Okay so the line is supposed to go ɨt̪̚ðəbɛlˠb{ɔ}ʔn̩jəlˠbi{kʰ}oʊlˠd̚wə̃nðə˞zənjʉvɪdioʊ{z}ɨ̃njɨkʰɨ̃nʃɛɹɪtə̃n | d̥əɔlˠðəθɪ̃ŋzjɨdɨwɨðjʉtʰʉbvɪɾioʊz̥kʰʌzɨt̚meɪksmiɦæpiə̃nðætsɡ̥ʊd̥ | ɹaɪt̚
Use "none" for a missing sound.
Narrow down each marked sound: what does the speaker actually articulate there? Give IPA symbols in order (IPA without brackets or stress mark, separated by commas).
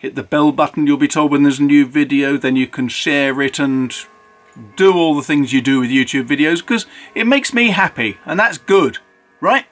ʌ, tʰ, ð